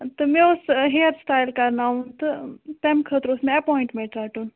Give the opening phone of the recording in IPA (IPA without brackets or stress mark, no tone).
t̪